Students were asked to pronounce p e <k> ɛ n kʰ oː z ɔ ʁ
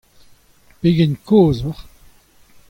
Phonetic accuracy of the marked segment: incorrect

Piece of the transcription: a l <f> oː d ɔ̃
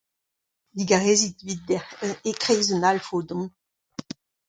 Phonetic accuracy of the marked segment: correct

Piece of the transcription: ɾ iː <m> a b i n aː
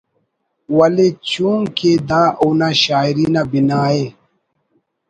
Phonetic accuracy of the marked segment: incorrect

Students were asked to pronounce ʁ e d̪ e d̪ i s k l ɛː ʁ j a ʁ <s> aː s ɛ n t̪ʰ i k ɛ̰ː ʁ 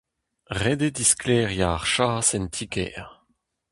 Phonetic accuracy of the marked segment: incorrect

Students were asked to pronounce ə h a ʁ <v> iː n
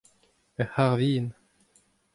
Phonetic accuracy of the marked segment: correct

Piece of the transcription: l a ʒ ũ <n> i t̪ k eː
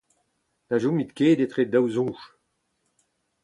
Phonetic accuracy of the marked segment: incorrect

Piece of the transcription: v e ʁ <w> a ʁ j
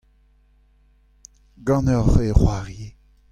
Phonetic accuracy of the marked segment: correct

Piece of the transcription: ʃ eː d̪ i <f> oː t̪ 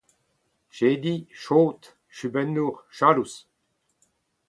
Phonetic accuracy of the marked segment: incorrect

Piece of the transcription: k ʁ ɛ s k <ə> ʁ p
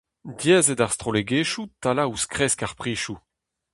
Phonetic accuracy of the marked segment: incorrect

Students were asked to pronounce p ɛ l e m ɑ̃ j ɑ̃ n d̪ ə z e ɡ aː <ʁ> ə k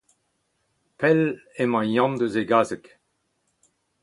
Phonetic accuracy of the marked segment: incorrect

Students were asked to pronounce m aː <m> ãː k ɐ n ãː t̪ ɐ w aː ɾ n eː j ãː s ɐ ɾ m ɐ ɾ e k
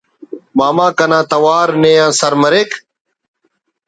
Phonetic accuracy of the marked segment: correct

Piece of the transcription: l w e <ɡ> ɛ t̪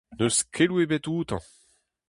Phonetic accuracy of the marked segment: incorrect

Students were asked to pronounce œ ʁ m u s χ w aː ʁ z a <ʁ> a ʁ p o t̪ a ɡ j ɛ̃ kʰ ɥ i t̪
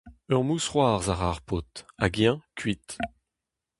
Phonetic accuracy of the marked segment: correct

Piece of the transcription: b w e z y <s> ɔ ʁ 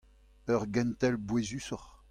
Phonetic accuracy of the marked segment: correct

